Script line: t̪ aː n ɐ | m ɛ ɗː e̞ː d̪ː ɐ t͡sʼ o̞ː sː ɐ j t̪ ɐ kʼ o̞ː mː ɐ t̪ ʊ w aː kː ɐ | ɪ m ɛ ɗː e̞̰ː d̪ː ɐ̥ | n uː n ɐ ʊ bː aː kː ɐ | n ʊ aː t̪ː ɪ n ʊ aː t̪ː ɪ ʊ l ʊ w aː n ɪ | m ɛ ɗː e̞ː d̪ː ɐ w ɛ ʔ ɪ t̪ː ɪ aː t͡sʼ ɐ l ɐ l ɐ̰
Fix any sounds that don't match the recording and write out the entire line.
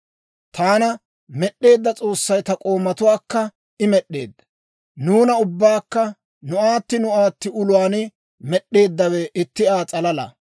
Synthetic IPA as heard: t̪ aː n ɐ | m ɛ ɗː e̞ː d̪ː ɐ t͡sʼ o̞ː sː ɐ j t̪ ɐ kʼ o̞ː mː ɐ t̪ ʊ w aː kː ɐ | ɪ m ɛ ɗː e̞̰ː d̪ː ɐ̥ | n uː n ɐ ʊ bː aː kː ɐ | n ʊ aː t̪ː ɪ n ʊ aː t̪ː ɪ ʊ l ʊ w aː n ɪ | m ɛ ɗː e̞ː d̪ː ɐ w ɛ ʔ ɪ t̪ː ɪ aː t͡sʼ ɐ l ɐ l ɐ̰